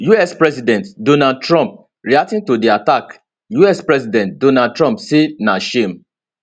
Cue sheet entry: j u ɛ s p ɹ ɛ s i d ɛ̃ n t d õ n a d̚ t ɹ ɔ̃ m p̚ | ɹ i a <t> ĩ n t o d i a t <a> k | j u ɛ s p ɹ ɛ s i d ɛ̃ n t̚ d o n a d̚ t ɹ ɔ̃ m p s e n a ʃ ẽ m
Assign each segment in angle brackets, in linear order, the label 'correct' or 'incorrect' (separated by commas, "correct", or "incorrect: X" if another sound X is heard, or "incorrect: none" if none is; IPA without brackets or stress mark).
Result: correct, correct